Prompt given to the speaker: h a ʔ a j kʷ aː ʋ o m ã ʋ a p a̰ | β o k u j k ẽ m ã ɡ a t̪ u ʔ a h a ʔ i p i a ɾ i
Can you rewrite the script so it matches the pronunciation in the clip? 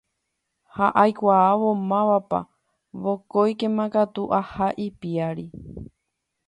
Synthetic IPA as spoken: h a ʔ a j kʷ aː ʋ o m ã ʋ a p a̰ | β o k o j k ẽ m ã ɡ a t̪ u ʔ a h a ʔ i p i a ɾ i